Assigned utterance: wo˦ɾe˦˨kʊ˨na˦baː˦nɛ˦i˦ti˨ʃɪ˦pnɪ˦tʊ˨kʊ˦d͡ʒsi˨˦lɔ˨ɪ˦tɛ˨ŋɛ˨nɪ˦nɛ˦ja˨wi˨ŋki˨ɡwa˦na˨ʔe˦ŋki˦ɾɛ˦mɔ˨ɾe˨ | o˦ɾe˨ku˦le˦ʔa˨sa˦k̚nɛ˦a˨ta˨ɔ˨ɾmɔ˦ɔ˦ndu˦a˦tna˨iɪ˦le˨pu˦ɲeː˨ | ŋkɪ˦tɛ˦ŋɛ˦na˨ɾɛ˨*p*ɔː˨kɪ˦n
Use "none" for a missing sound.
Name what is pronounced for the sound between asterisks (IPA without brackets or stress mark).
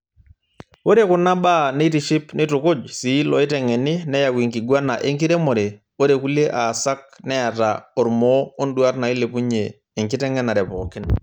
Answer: p